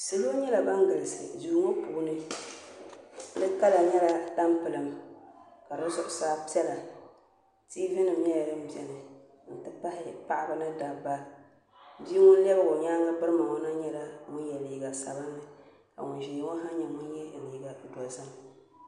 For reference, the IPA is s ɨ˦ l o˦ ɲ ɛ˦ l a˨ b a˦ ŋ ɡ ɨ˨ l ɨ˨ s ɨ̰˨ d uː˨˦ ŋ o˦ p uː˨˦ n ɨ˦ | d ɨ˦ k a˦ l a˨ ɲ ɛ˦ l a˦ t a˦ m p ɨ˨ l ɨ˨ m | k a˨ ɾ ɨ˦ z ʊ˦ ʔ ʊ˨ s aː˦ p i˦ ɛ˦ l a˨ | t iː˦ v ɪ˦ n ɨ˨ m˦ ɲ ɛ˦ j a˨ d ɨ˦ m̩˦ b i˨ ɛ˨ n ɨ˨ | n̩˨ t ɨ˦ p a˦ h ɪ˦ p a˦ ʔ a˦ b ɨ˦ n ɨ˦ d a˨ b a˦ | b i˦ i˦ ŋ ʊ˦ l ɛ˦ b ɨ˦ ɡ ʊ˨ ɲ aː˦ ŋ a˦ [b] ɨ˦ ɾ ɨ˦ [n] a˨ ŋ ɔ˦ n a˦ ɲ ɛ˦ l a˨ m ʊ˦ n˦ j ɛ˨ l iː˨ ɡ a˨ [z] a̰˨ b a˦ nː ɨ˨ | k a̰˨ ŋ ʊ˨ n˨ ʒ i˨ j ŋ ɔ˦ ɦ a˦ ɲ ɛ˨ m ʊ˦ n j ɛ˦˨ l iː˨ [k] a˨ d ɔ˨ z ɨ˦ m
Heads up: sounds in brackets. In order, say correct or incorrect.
correct, incorrect: m, incorrect: s, incorrect: ɡ

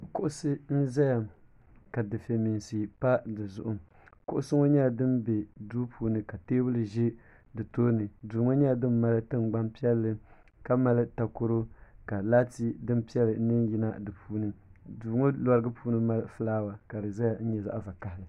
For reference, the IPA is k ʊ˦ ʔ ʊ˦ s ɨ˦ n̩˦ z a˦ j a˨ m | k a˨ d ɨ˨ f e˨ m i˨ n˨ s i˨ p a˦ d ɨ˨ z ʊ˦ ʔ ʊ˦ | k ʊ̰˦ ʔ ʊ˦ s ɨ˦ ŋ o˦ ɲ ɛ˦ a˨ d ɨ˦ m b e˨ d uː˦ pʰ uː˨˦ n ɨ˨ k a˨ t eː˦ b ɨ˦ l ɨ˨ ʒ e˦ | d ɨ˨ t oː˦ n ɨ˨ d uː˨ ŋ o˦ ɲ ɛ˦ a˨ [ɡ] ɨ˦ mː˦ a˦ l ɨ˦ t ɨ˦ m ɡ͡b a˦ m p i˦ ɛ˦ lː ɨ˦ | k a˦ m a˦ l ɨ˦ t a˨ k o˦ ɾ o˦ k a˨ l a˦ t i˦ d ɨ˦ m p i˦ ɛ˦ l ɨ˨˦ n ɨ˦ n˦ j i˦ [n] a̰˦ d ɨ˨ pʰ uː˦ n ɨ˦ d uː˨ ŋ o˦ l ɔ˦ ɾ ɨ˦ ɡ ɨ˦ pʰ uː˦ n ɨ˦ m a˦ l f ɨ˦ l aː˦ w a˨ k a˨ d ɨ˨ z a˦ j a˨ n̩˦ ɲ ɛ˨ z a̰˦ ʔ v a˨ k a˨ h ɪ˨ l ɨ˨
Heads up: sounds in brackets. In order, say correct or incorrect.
incorrect: d, correct

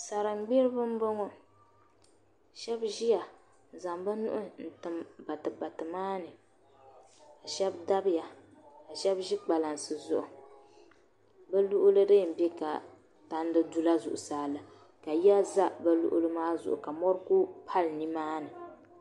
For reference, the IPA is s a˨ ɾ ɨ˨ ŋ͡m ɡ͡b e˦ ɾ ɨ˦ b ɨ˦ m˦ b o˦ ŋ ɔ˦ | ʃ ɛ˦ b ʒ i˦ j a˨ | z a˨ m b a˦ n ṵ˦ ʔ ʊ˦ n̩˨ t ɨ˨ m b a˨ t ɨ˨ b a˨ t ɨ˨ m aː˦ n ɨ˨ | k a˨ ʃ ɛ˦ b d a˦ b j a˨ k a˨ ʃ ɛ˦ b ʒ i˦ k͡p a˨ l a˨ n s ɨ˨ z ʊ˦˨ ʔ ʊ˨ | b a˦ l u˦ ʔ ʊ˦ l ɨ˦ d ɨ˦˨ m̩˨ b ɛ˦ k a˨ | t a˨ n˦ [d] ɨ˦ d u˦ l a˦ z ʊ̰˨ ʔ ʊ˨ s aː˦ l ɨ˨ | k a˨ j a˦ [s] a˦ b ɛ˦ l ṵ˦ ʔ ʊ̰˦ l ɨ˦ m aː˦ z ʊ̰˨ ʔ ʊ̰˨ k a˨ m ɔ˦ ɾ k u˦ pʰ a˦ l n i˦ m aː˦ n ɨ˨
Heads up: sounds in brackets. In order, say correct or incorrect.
correct, incorrect: z

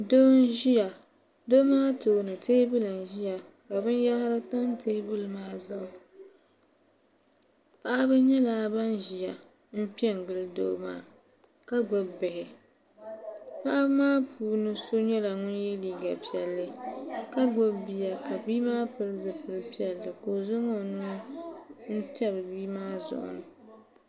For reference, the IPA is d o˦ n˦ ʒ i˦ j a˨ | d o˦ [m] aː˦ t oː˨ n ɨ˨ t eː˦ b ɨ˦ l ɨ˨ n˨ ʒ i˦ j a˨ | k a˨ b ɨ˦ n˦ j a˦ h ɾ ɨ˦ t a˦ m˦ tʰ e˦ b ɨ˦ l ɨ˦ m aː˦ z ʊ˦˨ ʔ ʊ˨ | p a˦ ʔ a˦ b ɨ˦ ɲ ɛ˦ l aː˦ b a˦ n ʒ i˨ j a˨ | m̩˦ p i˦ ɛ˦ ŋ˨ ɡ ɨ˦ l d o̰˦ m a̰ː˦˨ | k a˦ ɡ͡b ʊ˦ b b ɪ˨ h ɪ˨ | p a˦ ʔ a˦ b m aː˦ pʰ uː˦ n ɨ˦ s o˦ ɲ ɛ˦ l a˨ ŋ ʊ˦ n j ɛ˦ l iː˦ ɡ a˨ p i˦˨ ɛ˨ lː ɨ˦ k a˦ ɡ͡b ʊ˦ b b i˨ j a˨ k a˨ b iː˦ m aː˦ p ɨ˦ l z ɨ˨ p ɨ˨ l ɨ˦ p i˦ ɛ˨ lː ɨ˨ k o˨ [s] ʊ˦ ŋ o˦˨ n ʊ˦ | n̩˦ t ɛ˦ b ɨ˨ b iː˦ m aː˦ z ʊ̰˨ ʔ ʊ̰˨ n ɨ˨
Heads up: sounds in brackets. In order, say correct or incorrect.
correct, incorrect: z

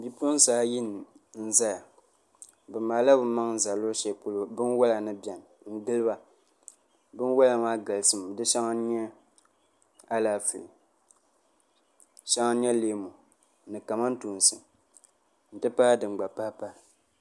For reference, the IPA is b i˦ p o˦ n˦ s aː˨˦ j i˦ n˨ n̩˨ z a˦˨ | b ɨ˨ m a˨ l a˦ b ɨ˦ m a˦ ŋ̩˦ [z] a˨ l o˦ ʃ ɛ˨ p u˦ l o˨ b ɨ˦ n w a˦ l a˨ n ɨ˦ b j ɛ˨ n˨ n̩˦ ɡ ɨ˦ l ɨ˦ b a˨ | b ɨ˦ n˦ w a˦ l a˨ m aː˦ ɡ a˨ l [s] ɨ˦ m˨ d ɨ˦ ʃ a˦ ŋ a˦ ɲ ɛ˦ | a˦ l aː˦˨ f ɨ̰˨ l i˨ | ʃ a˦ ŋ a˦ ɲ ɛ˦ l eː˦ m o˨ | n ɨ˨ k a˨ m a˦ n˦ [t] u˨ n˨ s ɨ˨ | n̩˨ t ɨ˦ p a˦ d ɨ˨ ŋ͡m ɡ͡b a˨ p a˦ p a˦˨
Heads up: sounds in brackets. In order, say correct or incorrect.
correct, correct, correct

